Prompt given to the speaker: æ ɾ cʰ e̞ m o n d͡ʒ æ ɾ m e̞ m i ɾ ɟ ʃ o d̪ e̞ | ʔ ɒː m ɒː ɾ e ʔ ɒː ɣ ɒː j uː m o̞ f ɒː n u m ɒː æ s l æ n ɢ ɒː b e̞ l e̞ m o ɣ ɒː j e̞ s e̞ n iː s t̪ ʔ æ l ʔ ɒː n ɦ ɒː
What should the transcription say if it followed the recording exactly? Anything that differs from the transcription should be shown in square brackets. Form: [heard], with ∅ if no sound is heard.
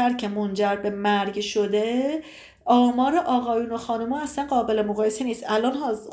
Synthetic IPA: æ ɾ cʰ e̞ m o n d͡ʒ æ ɾ [b] e̞ m [æ] ɾ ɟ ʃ o d̪ e̞ | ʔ ɒː m ɒː ɾ e ʔ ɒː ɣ ɒː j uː [n] o̞ [x] ɒː n u m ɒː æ s l æ n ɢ ɒː b e̞ l e̞ m o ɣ ɒː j e̞ s e̞ n iː s t̪ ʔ æ l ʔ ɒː n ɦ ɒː